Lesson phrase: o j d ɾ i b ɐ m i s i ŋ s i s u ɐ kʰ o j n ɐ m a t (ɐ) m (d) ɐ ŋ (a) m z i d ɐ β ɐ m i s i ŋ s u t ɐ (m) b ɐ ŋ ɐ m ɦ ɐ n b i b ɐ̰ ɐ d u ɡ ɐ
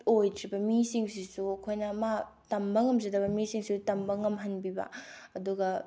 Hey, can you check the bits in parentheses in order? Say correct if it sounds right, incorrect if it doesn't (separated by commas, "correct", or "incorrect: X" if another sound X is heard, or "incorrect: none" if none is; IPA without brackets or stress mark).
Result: correct, incorrect: b, incorrect: ɐ, correct